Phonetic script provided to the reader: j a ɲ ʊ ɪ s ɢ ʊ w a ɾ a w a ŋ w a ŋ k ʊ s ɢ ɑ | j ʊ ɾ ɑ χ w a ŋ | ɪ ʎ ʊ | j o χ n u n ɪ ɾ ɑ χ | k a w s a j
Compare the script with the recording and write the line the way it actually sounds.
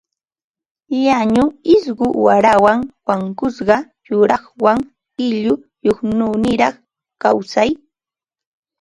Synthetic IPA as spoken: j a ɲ ʊ ɪ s ɢ ʊ w a ɾ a w a ŋ w a ŋ k ʊ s ɢ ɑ | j ʊ ɾ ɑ χ w a ŋ | ɪ ʎ ʊ | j o χ n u n ɪ ɾ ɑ χ | k a w s a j